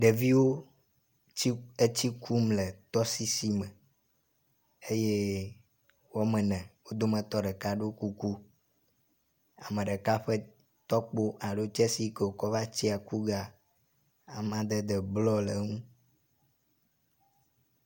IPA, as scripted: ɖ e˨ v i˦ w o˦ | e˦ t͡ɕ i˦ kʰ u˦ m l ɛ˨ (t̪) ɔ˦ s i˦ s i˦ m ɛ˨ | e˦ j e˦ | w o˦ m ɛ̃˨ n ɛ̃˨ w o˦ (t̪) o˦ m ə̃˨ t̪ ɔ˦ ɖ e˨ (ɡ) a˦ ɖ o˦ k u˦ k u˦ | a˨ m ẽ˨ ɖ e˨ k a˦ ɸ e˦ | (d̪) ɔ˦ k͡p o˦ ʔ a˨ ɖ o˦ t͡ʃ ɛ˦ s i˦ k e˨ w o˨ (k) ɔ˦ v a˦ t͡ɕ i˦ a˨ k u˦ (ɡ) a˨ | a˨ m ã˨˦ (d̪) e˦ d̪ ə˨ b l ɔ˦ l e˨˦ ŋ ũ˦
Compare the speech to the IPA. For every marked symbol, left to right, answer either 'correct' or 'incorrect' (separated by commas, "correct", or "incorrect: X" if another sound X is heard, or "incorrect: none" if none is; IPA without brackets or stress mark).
correct, incorrect: d̪, incorrect: k, incorrect: t̪, correct, correct, correct